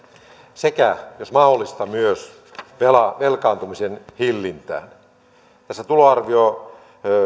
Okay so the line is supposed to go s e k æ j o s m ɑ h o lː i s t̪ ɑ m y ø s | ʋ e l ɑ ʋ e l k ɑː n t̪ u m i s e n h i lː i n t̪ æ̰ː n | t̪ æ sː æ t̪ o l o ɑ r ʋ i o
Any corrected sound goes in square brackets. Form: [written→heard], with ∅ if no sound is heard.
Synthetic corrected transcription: s e k æ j o s m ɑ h o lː i s t̪ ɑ m y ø s | ʋ e l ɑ ʋ e l k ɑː n t̪ u m i s e n h i lː i n t̪ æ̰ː n | t̪ æ sː æ t̪ [o→u] l o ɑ r ʋ i o